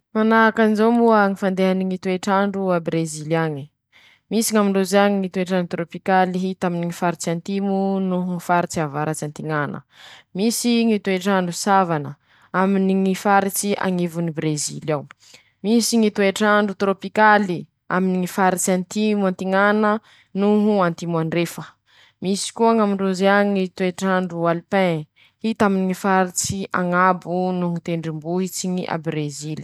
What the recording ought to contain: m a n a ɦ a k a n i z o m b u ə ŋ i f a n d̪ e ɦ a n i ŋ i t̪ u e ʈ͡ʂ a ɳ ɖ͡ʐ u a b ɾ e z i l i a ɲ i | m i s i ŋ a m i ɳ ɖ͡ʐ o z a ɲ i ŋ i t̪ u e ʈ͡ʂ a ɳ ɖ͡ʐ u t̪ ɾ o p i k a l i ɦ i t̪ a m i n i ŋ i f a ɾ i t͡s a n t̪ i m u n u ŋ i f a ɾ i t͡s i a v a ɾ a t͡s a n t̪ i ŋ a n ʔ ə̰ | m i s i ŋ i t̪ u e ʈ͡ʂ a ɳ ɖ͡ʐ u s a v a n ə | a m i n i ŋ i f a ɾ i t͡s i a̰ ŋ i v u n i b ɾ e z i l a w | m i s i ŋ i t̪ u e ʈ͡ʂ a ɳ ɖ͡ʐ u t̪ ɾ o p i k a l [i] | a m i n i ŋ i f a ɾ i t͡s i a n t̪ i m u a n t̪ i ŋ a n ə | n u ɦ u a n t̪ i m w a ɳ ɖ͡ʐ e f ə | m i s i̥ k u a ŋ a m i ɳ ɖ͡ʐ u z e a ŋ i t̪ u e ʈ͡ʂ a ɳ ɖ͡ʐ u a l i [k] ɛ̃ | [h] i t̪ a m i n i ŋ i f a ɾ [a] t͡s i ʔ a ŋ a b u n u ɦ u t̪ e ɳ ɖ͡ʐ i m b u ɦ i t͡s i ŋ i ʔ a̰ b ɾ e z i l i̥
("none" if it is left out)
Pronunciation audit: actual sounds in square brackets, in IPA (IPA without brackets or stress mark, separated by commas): i, p, h, i